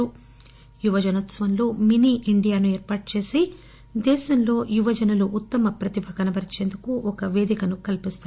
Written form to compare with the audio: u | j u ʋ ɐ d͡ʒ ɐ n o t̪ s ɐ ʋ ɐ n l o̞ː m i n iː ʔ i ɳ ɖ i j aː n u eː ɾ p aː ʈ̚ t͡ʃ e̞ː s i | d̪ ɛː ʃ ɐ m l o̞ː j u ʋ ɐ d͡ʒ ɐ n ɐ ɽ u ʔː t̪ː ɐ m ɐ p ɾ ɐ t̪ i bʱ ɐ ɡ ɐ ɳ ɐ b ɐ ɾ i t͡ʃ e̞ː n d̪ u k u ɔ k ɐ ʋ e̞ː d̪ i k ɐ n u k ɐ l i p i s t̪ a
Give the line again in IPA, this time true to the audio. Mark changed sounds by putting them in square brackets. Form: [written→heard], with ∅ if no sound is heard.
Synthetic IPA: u | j u ʋ ɐ d͡ʒ ɐ n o t̪ s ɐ ʋ ɐ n l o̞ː m i n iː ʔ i ɳ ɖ i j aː n u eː ɾ p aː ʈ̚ t͡ʃ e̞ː s i | d̪ ɛː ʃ ɐ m l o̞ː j u ʋ ɐ d͡ʒ ɐ n ɐ [ɽ→l] u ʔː t̪ː ɐ m ɐ p ɾ ɐ t̪ i bʱ ɐ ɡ ɐ [ɳ→n] ɐ b ɐ ɾ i t͡ʃ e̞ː n d̪ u k u ɔ k ɐ ʋ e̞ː d̪ i k ɐ n u k ɐ l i p i s t̪ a